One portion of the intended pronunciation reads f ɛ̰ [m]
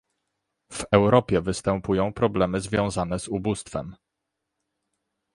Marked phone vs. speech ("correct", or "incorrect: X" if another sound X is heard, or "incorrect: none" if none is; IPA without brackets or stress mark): correct